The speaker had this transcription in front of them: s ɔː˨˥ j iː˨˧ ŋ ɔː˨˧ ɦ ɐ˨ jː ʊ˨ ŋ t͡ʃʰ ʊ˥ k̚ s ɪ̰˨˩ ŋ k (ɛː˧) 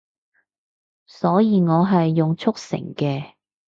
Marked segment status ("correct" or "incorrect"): correct